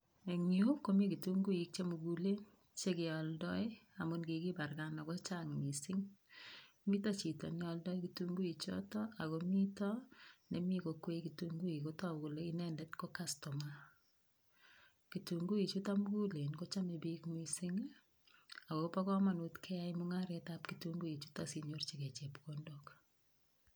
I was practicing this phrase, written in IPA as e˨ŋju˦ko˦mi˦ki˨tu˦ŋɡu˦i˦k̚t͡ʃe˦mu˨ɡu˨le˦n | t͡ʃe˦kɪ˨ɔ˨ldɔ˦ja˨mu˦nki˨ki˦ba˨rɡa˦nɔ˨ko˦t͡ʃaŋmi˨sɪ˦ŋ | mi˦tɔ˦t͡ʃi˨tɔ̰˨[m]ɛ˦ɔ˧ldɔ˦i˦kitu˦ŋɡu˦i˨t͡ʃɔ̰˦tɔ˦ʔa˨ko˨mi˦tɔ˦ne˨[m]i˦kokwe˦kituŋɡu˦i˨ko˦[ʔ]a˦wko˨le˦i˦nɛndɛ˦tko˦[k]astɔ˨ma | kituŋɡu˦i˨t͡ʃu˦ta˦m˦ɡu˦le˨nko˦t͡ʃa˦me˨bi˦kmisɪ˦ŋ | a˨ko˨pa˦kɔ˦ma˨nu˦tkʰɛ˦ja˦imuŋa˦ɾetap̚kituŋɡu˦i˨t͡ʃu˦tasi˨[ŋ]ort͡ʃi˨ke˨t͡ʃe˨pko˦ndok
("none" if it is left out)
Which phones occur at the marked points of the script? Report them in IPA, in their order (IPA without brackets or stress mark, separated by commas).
n, m, t, k, ɲ